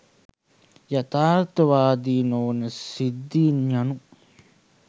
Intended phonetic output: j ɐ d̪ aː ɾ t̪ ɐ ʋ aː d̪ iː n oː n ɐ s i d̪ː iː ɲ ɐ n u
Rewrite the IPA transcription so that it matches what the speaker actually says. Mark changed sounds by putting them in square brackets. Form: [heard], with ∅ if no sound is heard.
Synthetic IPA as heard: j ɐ [t̪] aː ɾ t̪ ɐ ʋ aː d̪ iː n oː n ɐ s i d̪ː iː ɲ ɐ n u